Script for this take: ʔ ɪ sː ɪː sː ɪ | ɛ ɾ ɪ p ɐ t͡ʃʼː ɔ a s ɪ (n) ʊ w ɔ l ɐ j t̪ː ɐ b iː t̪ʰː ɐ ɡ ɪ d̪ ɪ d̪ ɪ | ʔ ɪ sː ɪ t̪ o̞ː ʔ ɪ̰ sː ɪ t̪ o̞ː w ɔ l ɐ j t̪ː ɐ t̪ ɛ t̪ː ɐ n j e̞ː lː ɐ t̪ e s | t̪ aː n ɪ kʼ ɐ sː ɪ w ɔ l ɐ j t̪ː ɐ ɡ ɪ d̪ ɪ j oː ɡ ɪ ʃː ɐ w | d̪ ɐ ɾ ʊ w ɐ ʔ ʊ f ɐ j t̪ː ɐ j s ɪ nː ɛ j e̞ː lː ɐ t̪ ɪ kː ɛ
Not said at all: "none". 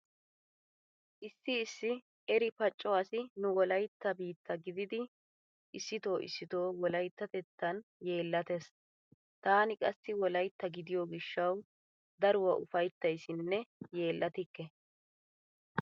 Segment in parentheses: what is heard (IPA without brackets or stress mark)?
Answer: n